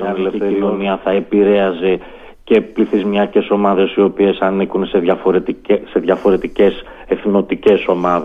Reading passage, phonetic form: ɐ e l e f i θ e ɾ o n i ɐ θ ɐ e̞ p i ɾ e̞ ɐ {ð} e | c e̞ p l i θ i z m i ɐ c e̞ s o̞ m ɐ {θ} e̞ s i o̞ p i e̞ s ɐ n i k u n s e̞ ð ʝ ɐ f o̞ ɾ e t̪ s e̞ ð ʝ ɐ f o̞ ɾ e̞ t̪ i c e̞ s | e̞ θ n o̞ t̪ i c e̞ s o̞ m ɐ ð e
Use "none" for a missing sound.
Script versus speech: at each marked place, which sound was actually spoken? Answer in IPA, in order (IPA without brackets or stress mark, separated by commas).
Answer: z, ð